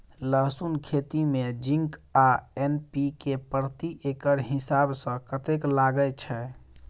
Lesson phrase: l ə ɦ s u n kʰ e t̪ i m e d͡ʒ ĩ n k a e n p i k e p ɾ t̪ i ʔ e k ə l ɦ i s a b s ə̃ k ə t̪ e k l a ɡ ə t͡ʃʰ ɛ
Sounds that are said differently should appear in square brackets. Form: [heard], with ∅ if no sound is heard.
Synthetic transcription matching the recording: l ə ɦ s u n kʰ e t̪ i m e d͡ʒ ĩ [ŋ] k a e n p i k e p ɾ t̪ i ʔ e k ə [ɾ] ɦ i s a b s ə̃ k ə t̪ e k l a ɡ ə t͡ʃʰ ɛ

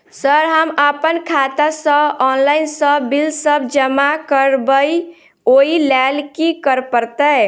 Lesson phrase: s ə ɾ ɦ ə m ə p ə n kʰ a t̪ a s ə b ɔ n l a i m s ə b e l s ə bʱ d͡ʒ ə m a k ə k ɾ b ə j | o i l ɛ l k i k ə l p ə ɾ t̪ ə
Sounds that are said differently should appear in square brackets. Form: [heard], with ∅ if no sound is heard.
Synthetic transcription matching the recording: s ə ɾ ɦ ə m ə p ə n kʰ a t̪ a s ə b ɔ n l a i [n] s ə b [i] l s ə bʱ d͡ʒ ə m a k ə [∅] ɾ b ə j | o i l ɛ l k i k ə [ɾ] p ə ɾ t̪ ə

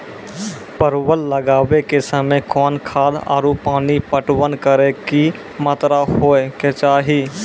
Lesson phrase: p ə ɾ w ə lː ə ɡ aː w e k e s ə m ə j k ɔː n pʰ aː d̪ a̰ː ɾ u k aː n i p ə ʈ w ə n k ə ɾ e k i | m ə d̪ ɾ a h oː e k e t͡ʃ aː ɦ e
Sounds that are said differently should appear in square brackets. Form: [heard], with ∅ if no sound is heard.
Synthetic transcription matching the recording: p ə ɾ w ə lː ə ɡ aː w e k e s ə m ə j k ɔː n [kʰ] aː d̪ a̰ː ɾ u [p] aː n i p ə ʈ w ə n k ə ɾ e k i | m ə [t̪] ɾ a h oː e k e t͡ʃ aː ɦ [i]

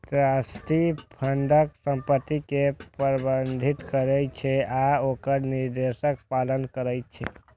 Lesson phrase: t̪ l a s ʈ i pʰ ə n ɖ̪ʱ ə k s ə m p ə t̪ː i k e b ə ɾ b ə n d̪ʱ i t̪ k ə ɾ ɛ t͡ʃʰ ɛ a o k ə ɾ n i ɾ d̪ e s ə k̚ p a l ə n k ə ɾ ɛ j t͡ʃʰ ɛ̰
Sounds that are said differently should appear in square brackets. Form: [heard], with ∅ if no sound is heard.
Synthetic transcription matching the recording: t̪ [ɾ] a s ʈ i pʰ ə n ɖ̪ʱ ə k s ə m p ə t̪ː i k e [p] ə ɾ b ə n d̪ʱ i t̪ k ə ɾ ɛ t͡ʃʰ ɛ a o k ə ɾ n i ɾ d̪ e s ə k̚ p a l ə n k ə ɾ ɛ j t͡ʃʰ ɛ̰

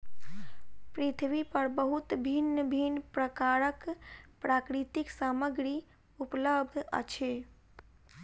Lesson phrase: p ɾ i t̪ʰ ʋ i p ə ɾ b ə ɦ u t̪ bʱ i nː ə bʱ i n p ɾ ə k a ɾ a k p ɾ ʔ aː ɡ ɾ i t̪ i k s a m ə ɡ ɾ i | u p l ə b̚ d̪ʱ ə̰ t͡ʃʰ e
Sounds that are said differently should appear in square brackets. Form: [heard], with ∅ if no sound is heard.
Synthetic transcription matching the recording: p ɾ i t̪ʰ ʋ i p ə ɾ b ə ɦ u t̪ bʱ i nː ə bʱ i n p ɾ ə k a ɾ [ə] k p ɾ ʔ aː [k] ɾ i t̪ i k s a m ə ɡ ɾ i | u p l ə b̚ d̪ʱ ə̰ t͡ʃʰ e

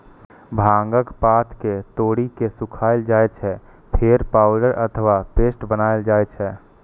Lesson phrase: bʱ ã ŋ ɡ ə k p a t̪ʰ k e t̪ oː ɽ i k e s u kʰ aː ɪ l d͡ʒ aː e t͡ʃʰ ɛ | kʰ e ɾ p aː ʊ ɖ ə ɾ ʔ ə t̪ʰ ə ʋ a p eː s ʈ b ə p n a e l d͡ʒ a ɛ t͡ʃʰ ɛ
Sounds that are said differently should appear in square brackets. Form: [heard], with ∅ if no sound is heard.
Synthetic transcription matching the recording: bʱ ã ŋ ɡ ə k p a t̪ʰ k e t̪ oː ɽ i k e s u kʰ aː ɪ l d͡ʒ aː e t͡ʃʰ ɛ | [pʰ] e ɾ p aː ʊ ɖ ə ɾ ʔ ə t̪ʰ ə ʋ a p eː s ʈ b ə [∅] n a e l d͡ʒ a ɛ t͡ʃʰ ɛ

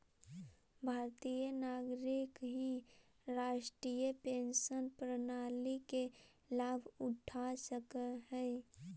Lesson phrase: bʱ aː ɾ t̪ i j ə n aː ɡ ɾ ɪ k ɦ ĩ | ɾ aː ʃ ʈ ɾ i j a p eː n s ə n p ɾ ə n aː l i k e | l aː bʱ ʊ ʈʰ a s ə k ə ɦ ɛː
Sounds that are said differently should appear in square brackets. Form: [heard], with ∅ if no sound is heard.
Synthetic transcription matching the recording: bʱ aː ɾ t̪ i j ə n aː ɡ ɾ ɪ k ɦ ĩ | ɾ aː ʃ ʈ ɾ i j [ə] p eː n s ə n p ɾ ə n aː l i k e | l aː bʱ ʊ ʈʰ a s ə k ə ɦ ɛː

